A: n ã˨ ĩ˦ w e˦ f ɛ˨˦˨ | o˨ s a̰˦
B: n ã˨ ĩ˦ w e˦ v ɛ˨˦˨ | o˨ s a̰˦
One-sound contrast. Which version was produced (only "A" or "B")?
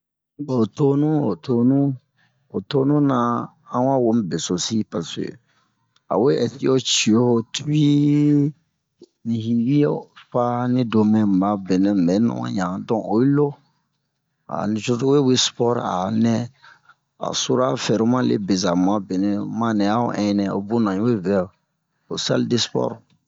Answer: B